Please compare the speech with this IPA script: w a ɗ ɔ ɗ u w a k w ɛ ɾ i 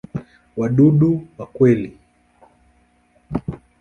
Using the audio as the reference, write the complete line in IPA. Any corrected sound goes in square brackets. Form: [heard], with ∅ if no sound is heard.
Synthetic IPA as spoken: w a ɗ [u] ɗ u w a k w ɛ [l] i